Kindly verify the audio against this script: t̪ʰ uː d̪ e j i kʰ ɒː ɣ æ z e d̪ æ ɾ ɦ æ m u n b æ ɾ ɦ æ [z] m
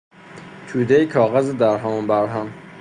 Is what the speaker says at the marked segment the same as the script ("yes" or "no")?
no